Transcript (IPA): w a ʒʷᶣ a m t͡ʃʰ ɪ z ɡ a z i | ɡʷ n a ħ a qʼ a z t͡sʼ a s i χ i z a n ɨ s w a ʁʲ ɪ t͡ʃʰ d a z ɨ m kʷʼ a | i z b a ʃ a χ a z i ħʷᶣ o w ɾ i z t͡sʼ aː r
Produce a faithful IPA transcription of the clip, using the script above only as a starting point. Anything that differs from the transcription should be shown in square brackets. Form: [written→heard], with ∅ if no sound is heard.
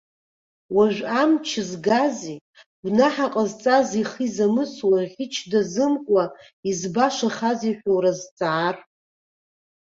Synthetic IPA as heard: w a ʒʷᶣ a m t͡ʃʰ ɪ z ɡ a z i | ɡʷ n a ħ a qʼ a z t͡sʼ a [s→z] i χ i z a [n→m] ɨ s w a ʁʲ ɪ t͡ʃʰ d a z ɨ m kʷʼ a | i z b a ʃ a χ a z i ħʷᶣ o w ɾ [i→a] z t͡sʼ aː r